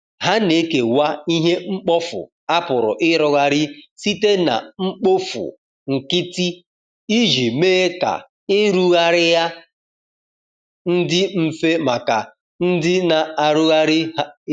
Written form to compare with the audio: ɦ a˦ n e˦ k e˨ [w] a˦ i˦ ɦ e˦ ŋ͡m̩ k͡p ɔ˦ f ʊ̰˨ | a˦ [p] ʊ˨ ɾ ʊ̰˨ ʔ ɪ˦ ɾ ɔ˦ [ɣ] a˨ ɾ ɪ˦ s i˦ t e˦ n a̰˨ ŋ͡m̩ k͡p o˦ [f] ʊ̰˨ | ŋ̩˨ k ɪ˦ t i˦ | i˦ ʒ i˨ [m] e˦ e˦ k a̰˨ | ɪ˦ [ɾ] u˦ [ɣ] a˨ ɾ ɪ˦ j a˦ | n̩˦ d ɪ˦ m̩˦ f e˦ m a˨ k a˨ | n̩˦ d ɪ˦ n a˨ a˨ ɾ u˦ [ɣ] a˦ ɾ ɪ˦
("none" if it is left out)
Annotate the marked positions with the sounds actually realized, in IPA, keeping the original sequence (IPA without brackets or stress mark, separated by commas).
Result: w, p, ɣ, f, m, ɾ, ɣ, ɣ